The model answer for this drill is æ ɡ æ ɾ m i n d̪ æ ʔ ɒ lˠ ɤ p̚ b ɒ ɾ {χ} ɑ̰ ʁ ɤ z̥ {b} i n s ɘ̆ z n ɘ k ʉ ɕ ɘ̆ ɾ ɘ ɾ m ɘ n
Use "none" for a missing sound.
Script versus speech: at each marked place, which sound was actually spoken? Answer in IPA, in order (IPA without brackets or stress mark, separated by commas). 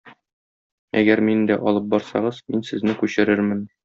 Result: s, m